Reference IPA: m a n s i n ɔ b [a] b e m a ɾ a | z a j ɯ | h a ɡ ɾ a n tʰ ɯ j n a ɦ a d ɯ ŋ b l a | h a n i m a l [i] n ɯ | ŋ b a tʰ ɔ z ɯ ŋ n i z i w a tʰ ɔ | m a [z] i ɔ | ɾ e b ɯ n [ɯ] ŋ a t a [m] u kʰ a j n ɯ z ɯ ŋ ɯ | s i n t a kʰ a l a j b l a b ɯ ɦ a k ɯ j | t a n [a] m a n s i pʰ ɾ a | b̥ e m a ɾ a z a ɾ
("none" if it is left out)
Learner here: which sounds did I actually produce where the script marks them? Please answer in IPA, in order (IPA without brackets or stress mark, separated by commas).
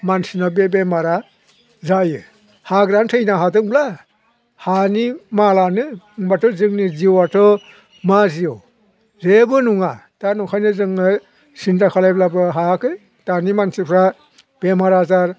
e, a, z, u, n, i